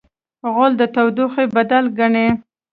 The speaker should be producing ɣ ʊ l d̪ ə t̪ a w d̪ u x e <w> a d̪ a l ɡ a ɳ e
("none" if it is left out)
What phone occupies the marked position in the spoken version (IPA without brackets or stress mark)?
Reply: b